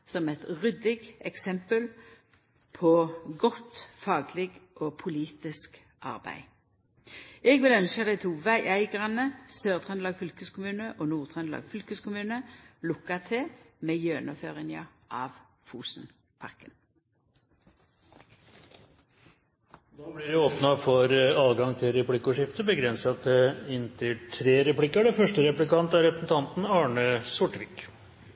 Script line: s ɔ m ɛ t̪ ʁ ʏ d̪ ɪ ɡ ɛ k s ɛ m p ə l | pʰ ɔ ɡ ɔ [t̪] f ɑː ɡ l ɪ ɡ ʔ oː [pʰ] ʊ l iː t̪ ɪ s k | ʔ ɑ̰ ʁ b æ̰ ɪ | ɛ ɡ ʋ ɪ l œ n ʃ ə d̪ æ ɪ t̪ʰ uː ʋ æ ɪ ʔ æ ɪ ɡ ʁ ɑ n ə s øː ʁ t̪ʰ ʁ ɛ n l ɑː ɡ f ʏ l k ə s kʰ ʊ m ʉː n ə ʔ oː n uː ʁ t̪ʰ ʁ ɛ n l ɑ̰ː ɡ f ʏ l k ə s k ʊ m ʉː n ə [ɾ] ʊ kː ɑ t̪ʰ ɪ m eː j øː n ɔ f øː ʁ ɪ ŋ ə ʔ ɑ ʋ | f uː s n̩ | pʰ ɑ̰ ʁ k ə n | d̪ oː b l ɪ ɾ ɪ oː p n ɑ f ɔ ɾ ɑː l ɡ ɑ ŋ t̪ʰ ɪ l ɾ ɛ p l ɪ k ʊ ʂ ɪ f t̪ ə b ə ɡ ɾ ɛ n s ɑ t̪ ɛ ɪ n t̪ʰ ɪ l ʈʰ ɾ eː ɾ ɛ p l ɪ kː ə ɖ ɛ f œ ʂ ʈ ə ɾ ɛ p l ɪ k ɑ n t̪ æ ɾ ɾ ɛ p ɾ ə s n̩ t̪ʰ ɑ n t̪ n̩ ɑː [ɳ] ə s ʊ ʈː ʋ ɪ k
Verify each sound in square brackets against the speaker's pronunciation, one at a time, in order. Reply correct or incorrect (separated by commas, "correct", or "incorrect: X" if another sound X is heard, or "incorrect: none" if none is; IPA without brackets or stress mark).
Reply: correct, correct, incorrect: l, correct